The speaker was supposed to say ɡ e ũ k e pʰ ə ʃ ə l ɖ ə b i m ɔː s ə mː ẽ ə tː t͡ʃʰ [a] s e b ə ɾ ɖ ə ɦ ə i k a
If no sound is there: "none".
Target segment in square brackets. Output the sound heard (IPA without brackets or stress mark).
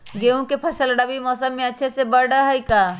e